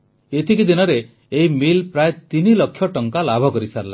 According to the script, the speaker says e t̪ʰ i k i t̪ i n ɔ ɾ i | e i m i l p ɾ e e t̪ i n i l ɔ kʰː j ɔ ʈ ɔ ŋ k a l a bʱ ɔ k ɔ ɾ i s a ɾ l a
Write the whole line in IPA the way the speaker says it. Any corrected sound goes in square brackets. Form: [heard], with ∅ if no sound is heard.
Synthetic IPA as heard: e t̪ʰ i k i [d̪] i n ɔ ɾ [e] | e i m i l p ɾ [a] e t̪ i n i l ɔ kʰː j ɔ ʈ ɔ ŋ k a l a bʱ ɔ k ɔ ɾ i s a ɾ l a